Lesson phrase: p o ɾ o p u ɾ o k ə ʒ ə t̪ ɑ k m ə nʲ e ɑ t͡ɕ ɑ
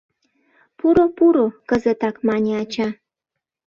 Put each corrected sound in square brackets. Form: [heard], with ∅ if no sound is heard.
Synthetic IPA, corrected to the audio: p [u] ɾ o p u ɾ o k ə [z] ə t̪ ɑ k m [ɑ] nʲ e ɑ t͡ɕ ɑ